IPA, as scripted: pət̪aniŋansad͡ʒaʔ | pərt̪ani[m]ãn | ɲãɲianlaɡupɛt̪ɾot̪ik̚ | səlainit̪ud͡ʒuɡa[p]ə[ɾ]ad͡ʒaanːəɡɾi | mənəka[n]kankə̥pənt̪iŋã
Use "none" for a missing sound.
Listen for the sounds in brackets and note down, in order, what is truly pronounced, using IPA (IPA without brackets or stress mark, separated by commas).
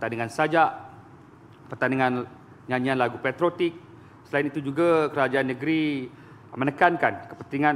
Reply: ŋ, k, ɾ, n